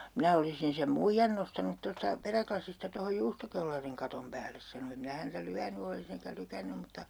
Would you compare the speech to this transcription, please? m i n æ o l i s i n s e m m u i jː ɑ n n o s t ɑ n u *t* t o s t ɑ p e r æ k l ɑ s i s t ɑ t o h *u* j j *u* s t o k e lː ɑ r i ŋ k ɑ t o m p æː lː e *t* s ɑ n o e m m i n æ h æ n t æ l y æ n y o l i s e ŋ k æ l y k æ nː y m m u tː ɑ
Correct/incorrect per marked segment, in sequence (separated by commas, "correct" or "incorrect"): correct, incorrect, incorrect, incorrect